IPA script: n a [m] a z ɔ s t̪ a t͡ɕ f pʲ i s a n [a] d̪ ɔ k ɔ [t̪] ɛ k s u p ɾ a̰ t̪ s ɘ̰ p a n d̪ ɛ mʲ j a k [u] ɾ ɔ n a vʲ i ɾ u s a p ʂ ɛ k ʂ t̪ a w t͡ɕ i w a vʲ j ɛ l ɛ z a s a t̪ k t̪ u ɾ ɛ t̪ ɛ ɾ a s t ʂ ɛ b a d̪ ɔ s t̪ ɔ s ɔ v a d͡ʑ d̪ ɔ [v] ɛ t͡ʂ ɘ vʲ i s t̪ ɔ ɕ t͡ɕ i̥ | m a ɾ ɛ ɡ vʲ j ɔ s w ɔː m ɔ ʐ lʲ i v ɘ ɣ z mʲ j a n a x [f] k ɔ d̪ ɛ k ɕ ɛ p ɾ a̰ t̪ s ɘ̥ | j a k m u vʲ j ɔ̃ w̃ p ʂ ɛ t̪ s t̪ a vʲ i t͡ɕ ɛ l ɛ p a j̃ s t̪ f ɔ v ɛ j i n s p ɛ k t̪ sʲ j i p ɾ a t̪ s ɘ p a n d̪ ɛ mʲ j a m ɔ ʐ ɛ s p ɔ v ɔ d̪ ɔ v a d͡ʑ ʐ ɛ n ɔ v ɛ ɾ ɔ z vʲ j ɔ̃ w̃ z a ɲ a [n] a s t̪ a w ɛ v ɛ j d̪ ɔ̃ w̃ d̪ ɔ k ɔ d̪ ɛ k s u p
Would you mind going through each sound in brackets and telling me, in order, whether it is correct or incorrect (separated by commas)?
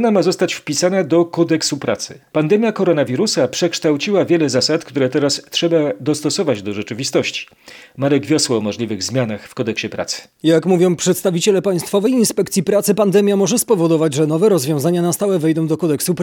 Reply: correct, correct, incorrect, incorrect, incorrect, correct, correct